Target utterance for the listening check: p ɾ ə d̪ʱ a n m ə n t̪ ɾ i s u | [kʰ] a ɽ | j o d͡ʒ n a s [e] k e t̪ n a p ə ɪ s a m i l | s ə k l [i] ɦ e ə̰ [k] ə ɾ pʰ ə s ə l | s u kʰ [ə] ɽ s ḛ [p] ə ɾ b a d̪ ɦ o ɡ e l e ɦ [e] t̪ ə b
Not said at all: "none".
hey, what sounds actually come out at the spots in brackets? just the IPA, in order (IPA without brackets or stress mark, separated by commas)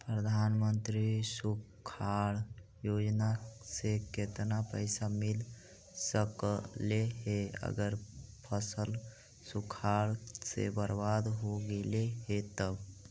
kʰ, e, e, ɡ, a, b, e